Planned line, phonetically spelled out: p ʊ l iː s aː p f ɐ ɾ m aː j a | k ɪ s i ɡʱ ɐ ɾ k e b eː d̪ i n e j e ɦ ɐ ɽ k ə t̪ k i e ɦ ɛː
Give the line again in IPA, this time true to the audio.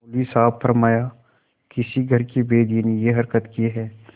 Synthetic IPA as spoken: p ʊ l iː s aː p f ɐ ɾ m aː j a | k ɪ s i ɡʱ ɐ ɾ k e b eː d̪ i n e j e ɦ ɐ ɾ k ə t̪ k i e ɦ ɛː

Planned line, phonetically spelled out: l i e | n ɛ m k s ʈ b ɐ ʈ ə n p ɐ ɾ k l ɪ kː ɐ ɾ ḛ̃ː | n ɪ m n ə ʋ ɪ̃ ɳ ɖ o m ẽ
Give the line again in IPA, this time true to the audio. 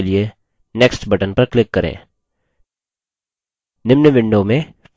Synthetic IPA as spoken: l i e | n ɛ k s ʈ b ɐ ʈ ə n p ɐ ɾ k l ɪ kː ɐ ɾ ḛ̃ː | n ɪ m n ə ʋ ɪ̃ ɳ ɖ o m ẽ

